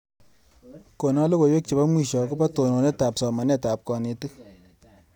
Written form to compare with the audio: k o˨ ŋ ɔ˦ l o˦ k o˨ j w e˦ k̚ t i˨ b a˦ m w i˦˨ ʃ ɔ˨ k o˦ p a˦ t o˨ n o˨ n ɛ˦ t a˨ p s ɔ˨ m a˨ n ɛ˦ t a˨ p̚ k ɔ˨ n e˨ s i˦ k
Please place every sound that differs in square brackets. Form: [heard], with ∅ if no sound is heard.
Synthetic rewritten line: k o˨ [n] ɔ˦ l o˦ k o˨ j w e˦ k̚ [t͡ʃ] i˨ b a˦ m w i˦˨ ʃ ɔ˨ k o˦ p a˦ t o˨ n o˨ n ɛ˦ t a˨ p s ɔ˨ m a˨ n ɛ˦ t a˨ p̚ k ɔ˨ n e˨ [t] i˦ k